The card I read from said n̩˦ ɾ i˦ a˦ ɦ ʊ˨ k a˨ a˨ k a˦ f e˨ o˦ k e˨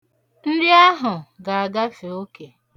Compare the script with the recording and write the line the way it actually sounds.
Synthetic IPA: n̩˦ ɾ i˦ a˦ ɦ ʊ˨ ɡ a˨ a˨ ɡ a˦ f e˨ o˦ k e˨